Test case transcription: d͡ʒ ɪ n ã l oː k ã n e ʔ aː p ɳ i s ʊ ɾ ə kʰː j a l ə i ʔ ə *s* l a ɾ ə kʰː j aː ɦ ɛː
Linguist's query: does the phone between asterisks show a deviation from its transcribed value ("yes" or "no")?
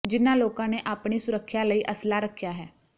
no